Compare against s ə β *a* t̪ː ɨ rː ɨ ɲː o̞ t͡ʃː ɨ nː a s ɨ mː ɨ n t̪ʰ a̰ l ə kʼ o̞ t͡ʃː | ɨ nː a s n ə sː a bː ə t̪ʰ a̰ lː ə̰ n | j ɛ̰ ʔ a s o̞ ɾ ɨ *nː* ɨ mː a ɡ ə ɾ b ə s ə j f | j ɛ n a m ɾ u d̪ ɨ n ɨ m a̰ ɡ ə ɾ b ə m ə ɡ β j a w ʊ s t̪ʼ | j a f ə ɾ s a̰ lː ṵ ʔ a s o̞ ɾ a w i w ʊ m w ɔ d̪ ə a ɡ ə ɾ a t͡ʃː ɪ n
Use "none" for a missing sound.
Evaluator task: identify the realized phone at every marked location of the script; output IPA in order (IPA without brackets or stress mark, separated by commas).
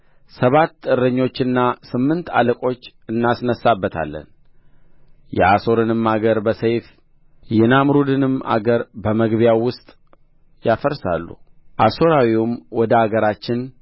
a, n